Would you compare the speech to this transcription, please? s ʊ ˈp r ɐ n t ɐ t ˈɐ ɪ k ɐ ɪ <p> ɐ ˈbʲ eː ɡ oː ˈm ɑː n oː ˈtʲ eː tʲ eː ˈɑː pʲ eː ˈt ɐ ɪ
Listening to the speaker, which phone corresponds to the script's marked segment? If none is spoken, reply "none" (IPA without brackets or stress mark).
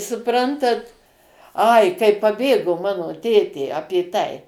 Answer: p